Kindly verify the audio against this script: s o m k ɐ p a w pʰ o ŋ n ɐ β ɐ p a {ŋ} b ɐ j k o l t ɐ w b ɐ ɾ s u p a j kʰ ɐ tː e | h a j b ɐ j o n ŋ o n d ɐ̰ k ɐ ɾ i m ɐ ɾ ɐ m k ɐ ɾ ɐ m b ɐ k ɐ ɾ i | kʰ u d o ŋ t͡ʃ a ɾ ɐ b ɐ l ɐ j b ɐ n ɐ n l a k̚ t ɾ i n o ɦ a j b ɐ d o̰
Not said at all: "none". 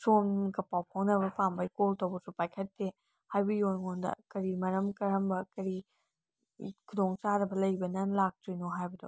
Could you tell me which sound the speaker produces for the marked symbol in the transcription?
m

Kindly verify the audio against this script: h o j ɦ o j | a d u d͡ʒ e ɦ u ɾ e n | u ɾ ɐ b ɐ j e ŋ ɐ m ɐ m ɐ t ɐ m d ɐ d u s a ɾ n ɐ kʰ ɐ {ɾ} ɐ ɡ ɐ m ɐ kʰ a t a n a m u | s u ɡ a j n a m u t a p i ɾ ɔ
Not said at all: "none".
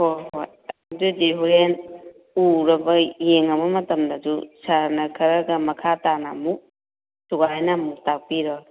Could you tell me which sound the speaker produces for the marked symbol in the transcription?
ɾ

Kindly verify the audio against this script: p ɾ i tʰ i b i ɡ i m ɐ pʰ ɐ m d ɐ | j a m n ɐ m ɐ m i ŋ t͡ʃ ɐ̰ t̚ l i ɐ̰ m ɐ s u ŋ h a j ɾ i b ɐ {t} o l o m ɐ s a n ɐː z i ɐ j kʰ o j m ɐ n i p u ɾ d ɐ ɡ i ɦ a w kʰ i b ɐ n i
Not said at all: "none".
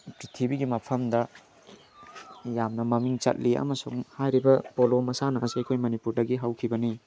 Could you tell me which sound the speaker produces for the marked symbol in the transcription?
p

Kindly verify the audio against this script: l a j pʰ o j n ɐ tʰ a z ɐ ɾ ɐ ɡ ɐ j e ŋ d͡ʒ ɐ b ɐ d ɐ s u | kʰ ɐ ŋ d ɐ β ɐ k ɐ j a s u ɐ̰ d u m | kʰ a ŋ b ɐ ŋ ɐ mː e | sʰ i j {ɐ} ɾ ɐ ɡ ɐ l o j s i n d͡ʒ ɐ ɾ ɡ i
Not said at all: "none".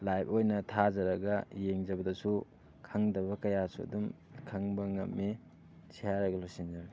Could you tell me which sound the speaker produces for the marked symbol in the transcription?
a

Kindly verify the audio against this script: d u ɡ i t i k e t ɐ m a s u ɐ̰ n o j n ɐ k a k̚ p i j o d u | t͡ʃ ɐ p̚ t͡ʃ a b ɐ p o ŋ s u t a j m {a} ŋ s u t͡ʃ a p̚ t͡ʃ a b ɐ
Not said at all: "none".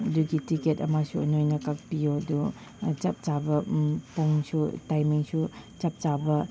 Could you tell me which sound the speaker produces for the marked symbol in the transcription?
i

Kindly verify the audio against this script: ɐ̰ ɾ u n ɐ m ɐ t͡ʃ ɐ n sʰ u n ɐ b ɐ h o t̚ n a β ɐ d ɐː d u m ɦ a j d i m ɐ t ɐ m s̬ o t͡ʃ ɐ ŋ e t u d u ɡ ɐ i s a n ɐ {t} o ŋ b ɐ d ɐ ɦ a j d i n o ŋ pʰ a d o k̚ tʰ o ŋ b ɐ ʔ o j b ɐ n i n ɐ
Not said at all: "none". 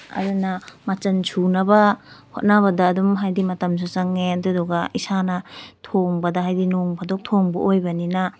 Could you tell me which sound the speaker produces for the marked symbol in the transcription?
tʰ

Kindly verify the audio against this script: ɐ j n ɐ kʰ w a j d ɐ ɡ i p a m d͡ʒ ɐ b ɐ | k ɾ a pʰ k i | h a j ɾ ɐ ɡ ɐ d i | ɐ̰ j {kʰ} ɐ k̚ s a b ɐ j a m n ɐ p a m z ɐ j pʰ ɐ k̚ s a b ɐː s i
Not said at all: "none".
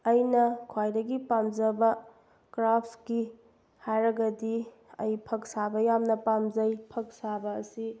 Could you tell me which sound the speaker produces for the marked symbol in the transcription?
pʰ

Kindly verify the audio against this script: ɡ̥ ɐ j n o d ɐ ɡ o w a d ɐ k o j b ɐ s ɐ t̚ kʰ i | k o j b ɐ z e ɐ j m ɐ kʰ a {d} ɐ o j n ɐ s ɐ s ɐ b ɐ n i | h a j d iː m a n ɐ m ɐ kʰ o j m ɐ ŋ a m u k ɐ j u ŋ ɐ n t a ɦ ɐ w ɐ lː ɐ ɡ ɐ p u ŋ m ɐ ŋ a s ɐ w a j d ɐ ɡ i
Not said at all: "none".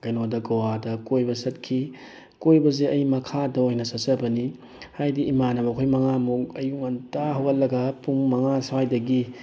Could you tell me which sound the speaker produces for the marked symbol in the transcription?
d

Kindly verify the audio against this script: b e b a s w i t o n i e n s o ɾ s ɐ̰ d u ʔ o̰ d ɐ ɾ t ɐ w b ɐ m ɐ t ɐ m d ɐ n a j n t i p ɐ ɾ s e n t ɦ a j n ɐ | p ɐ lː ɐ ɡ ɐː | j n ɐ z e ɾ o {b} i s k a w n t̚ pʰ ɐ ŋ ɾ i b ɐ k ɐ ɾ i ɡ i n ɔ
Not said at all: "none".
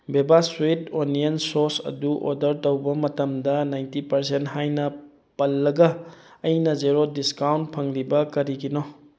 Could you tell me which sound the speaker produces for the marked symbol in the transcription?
d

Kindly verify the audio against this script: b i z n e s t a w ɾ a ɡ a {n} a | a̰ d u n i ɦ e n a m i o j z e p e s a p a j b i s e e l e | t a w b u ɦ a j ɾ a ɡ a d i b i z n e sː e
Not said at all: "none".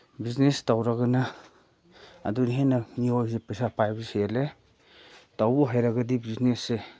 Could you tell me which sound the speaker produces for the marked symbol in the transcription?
n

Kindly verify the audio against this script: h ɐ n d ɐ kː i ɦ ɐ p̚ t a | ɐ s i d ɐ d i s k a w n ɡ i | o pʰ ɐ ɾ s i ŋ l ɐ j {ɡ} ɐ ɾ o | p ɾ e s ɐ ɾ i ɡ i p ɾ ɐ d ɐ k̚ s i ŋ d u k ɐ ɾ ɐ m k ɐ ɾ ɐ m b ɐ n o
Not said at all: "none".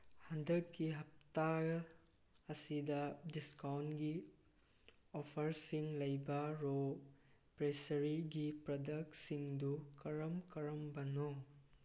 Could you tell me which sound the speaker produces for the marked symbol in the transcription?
b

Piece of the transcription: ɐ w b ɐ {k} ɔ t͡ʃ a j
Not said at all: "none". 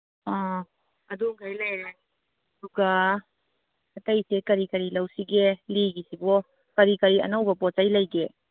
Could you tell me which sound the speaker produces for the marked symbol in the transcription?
p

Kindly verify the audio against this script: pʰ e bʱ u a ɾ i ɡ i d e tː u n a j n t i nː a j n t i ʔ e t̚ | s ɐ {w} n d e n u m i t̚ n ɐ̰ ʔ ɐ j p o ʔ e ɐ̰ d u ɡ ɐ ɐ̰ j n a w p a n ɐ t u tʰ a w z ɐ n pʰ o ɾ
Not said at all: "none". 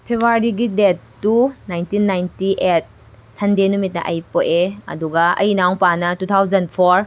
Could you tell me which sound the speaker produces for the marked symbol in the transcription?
none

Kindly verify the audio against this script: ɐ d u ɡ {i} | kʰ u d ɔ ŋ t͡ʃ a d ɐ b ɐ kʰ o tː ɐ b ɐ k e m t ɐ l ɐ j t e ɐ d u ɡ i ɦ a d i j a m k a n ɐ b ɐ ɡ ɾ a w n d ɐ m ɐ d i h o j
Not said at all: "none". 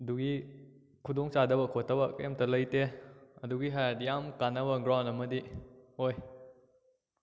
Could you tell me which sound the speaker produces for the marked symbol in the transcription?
i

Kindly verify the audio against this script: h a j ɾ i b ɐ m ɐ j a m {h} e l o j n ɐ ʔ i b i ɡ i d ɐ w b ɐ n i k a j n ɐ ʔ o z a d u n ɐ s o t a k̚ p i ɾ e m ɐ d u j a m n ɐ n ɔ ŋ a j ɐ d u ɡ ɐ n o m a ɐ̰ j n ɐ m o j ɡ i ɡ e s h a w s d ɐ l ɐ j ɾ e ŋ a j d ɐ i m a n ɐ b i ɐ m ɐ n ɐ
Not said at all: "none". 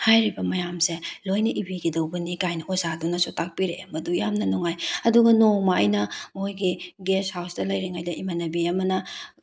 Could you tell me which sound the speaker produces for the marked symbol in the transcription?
s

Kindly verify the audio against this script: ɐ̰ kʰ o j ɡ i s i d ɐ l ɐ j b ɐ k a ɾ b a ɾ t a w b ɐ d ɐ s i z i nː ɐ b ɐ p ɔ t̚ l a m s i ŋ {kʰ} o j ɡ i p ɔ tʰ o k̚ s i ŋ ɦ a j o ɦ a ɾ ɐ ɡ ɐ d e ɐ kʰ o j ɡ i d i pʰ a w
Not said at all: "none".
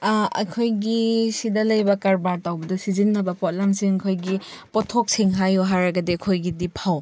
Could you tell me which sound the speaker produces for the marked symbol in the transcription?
kʰ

